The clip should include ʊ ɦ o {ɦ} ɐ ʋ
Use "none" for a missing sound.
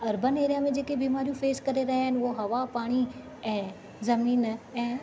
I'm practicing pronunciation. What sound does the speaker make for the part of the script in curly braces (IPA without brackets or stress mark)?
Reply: ɦ